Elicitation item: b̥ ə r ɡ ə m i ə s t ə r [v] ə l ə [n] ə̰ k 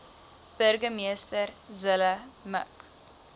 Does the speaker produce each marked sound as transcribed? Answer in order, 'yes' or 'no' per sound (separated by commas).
no, no